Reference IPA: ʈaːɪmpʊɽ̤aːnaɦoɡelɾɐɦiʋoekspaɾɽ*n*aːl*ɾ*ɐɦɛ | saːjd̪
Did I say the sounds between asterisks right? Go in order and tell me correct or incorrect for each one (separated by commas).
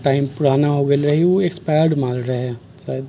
incorrect, correct